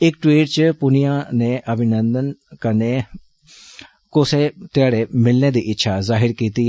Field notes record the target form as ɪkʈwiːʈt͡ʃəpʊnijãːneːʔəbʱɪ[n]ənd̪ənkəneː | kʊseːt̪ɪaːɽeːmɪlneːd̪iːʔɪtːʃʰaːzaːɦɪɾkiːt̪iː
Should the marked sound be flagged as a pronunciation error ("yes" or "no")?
no